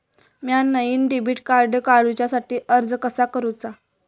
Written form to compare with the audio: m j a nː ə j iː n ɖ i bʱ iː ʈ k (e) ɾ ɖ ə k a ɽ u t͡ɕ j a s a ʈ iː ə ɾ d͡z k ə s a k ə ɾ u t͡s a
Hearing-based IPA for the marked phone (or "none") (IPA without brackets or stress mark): a